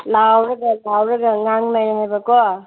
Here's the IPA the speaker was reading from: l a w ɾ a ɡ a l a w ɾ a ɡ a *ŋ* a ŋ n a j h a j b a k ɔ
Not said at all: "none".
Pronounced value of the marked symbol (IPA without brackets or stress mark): ŋ